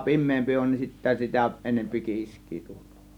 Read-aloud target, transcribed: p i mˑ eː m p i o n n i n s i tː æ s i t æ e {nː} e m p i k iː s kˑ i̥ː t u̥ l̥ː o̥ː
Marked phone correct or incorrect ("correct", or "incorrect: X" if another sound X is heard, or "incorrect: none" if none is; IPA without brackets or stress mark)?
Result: incorrect: n